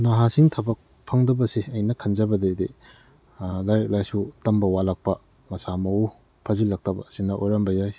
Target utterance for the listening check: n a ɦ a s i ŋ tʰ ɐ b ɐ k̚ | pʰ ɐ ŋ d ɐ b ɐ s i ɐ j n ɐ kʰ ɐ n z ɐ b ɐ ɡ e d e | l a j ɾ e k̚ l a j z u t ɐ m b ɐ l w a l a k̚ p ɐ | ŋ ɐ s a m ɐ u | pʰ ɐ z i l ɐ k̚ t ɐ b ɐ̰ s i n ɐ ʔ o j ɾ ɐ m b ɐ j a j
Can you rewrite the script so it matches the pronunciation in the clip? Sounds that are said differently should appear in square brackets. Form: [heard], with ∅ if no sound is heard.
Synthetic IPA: n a ɦ a s i ŋ tʰ ɐ b ɐ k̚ | pʰ ɐ ŋ d ɐ b ɐ s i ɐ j n ɐ kʰ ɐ n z ɐ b ɐ [d] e d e | l a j ɾ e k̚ l a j [s] u t ɐ m b ɐ [∅] w a l a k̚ p ɐ | [m] ɐ s a m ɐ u | pʰ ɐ z i l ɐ k̚ t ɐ b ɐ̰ s i n ɐ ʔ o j ɾ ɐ m b ɐ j a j